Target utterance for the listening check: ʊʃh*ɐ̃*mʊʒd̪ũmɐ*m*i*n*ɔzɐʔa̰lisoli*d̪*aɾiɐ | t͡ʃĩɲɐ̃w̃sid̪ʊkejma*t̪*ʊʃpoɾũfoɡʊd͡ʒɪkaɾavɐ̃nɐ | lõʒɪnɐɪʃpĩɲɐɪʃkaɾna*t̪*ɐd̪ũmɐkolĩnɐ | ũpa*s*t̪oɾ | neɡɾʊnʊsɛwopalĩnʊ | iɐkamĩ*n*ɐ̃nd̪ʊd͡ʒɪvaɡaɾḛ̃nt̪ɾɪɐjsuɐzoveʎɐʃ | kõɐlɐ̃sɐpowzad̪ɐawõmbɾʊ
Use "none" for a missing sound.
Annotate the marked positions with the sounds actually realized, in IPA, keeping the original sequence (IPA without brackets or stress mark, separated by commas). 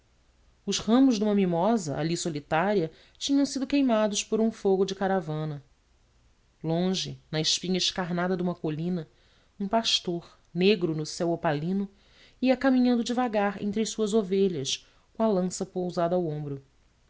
ɐ̃, m, m, t̪, d̪, d̪, ʃ, ɲ